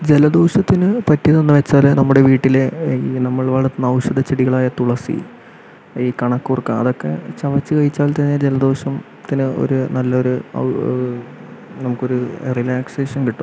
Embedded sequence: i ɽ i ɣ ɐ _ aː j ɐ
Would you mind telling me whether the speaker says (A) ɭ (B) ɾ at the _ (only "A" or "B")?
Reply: A